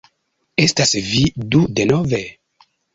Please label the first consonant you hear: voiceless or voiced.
voiceless